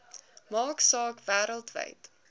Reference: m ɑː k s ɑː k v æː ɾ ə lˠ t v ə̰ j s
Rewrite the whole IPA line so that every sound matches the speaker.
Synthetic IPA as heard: m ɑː k s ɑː k v æː ɾ ə lˠ t v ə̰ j t

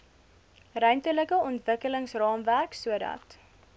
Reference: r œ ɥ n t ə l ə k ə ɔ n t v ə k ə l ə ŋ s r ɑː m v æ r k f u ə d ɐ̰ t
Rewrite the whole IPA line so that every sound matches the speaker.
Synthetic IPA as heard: r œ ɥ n t ə l ə k ə ɔ n t v ə k ə l ə ŋ s r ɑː m v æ r k s u ə d ɐ̰ t

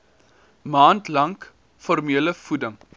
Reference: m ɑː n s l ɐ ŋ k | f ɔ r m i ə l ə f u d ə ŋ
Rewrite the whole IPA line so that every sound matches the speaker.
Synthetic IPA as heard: m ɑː n t l ɐ ŋ k | f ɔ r m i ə l ə f u d ə ŋ

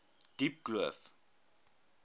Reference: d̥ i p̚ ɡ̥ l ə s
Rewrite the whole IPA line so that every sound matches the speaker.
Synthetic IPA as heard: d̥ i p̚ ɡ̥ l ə f

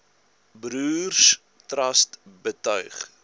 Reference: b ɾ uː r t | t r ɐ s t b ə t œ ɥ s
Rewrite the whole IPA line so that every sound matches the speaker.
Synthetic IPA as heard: b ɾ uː r s | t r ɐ s t b ə t œ ɥ χ

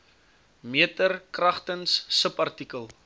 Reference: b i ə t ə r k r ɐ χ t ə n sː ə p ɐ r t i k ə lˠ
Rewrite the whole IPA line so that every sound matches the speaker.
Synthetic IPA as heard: m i ə t ə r k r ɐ χ t ə n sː ə p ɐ r t i k ə lˠ

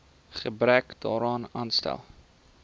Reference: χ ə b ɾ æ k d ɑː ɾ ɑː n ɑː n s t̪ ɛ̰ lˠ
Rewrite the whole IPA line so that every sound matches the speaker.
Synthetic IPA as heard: χ ə b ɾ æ k d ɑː ɾ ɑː n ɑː n s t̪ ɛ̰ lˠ

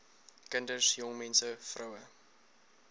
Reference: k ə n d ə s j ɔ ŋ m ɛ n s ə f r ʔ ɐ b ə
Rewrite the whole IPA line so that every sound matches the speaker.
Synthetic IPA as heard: k ə n d ə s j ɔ ŋ m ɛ n s ə f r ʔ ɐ w ə

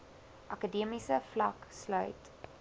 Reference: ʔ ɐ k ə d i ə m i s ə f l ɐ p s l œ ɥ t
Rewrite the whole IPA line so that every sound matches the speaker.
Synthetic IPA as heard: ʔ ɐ k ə d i ə m i s ə f l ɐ k s l œ ɥ t

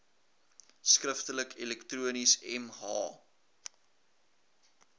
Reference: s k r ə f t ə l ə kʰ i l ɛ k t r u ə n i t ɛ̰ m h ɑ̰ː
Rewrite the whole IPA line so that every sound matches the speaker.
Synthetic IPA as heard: s k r ə f t ə l ə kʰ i l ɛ k t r u ə n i s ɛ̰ m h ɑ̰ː

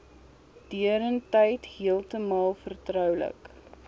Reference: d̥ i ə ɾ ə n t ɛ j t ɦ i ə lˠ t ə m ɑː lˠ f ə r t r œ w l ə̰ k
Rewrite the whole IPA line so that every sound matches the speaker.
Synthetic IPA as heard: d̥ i ə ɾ ə n t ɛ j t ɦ i ə lˠ t ə m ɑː lˠ f ə r t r œ w l ə̰ k

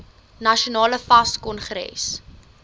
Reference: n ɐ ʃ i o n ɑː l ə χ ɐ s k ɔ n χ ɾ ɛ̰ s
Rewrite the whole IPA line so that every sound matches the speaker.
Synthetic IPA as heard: n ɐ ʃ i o n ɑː l ə f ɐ s k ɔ n χ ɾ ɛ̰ s

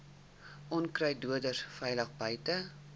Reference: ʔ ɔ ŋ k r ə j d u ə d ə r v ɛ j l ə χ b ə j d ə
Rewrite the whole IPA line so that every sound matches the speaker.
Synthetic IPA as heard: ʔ ɔ n k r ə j d u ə d ə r f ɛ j l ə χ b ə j t ə

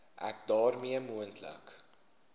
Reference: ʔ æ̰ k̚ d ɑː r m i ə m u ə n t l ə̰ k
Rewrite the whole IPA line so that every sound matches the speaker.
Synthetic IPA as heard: ʔ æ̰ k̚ d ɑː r m i ə m u ə n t l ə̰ k

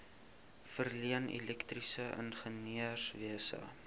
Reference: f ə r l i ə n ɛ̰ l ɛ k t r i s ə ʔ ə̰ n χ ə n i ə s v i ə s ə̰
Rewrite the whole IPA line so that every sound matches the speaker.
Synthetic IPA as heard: f ə r l i ə n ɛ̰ l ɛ k t r i s ə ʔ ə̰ n χ ə n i ə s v i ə s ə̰

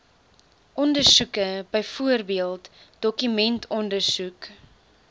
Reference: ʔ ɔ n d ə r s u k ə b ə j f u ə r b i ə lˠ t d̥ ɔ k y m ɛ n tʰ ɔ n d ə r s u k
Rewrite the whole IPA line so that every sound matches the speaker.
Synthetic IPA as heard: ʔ ɔ n d ə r s u k ə b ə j f u ə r b i ə lˠ t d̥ ɔ k y m ɛ n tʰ ɔ n d ə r s u k

